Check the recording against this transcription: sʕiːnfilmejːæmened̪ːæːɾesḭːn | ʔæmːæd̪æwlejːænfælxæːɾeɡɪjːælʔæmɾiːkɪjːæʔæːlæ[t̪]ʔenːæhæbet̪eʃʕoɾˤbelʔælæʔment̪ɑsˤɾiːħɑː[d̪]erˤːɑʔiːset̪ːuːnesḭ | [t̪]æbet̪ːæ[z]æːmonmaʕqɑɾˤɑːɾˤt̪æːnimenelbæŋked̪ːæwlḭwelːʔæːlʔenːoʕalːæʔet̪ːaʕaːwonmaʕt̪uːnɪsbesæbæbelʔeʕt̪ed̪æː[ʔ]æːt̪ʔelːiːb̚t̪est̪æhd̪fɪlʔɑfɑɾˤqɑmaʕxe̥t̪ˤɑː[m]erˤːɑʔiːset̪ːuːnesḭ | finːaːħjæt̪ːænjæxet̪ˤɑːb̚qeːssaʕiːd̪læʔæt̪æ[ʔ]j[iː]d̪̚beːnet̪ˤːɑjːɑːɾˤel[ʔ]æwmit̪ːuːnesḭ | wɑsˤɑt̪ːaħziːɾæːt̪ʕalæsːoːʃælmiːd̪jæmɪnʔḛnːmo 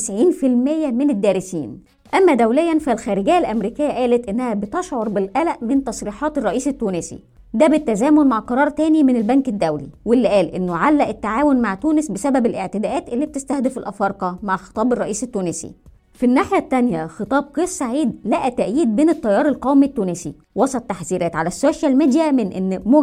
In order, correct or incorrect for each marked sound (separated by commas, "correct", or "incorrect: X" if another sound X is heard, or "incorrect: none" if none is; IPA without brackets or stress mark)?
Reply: correct, incorrect: t̪, incorrect: d̪, correct, correct, incorrect: b, correct, correct, incorrect: q